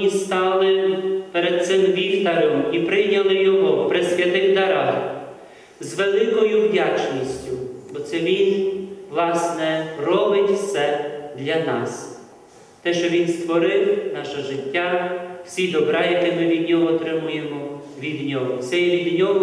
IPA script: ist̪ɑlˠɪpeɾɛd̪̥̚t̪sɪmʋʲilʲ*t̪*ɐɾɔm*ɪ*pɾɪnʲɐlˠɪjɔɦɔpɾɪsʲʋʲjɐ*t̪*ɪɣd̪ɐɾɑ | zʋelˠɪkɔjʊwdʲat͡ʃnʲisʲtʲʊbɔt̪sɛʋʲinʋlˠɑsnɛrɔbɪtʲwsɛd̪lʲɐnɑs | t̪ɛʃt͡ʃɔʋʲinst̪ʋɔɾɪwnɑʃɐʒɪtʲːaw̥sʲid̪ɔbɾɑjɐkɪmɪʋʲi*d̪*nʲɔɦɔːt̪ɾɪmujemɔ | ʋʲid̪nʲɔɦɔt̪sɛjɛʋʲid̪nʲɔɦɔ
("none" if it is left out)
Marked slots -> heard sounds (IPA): t̪, i, t̪, d̪

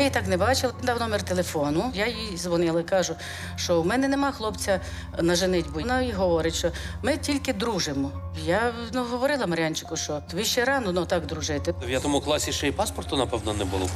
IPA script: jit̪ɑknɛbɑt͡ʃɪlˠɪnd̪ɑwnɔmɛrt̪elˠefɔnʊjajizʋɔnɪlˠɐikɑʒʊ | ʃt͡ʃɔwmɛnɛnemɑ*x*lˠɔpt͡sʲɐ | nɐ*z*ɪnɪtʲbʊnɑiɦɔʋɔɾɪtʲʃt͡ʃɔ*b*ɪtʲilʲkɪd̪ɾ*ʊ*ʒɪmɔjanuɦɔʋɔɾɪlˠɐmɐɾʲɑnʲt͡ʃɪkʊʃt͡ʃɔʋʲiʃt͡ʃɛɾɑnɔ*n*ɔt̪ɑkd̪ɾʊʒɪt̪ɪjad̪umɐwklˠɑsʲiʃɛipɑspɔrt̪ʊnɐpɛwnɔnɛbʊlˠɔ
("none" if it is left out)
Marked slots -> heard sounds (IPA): x, ʒ, m, u, n

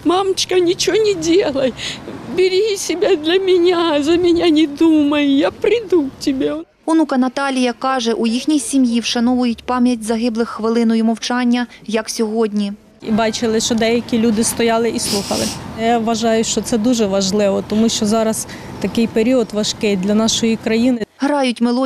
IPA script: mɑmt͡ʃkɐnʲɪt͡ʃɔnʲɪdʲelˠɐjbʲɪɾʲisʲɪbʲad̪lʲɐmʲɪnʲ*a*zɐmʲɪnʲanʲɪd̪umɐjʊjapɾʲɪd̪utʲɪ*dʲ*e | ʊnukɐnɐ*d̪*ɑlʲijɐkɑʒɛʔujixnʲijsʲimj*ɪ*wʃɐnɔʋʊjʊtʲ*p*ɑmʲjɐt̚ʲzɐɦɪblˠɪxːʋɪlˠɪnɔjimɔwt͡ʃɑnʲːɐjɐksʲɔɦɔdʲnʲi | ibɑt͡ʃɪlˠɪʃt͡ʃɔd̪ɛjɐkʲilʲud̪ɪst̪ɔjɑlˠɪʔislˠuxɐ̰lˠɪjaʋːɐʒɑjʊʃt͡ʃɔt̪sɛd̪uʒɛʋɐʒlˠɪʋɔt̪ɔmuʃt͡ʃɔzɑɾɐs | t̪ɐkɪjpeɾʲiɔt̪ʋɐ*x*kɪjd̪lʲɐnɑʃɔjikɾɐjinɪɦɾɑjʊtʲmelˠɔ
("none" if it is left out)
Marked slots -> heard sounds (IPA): a, bʲ, t̪, i, p, ʃ

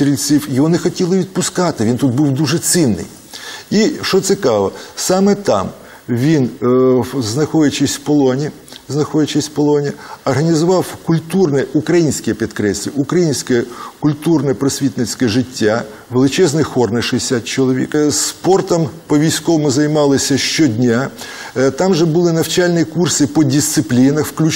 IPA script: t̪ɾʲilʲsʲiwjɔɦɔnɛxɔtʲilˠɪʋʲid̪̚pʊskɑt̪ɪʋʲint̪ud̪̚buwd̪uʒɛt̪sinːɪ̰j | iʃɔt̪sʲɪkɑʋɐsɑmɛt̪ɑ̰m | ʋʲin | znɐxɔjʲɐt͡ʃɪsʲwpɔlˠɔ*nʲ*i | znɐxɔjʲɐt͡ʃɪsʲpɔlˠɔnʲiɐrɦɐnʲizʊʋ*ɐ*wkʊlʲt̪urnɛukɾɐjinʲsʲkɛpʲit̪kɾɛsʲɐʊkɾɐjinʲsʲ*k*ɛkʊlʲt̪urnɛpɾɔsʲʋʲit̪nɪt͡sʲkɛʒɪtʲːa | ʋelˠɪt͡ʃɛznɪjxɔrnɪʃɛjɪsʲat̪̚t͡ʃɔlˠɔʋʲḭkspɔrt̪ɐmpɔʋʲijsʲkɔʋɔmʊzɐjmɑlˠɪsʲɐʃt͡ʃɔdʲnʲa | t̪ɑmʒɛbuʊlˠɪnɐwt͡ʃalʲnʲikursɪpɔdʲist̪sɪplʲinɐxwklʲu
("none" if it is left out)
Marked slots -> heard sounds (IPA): nʲ, ɑ, k

